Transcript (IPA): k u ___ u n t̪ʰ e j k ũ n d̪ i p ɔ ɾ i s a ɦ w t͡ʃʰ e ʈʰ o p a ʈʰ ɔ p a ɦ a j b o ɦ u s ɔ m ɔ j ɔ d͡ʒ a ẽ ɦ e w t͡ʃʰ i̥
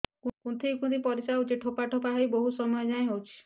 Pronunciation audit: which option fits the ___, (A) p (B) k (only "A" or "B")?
B